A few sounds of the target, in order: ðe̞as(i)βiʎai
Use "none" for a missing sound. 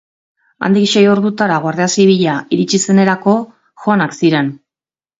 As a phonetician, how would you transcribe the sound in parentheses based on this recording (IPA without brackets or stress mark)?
i